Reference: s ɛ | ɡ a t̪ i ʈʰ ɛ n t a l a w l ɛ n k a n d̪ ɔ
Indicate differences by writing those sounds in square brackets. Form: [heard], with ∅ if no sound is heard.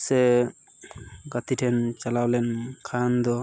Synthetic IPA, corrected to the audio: s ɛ | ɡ a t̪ i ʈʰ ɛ n [t͡ʃ] a l a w l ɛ n [kʰ] a n d̪ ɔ